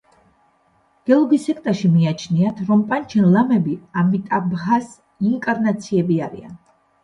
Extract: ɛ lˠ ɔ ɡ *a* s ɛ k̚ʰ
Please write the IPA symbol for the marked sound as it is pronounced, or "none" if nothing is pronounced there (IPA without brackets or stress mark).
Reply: i